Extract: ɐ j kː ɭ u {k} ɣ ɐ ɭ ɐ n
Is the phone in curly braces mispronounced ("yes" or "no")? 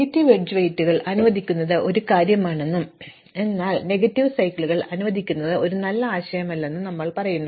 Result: yes